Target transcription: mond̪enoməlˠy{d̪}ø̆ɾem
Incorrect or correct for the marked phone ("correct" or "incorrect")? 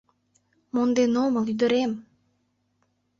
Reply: correct